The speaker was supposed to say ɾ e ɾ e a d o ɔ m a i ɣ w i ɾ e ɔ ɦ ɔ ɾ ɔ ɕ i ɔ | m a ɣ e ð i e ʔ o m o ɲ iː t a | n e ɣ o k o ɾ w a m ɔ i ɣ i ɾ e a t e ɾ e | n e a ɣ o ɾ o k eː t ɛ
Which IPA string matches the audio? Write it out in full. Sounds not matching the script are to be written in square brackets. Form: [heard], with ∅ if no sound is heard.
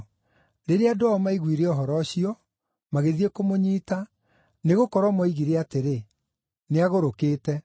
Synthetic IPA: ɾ e ɾ e a d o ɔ m a i ɣ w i ɾ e ɔ ɦ ɔ ɾ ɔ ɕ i ɔ | m a ɣ e ð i e [k] o m o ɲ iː t a | n e ɣ o k [ɔ] ɾ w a m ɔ i ɣ i ɾ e a t e ɾ e | n e a ɣ o ɾ o k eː t ɛ